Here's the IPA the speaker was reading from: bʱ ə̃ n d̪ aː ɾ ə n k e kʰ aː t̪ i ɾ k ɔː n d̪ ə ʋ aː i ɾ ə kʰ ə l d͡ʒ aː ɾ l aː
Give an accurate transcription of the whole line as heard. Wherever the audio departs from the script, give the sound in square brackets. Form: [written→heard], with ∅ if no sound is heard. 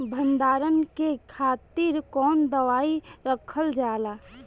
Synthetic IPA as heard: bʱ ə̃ n d̪ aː ɾ ə n k e kʰ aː t̪ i ɾ k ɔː n d̪ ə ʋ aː i ɾ ə kʰ ə l d͡ʒ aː [ɾ→∅] l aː